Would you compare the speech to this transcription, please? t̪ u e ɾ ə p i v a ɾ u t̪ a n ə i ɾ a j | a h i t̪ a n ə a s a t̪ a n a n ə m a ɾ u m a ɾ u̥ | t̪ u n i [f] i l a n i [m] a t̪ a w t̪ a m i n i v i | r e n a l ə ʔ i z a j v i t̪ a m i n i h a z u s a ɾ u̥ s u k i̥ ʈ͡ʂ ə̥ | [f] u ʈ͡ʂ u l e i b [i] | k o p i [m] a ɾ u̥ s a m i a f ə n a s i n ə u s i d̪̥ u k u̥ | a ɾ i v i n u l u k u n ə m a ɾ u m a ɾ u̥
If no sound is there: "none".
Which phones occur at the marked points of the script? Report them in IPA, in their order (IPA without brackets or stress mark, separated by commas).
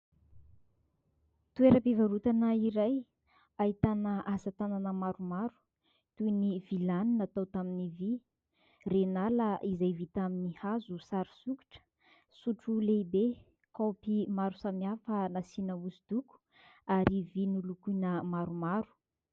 v, n, s, e, m